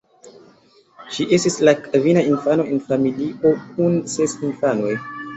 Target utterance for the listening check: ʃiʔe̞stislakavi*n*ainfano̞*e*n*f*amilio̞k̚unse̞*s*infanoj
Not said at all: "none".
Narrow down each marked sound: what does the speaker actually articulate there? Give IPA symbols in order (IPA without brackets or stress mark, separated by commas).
n, e, f, s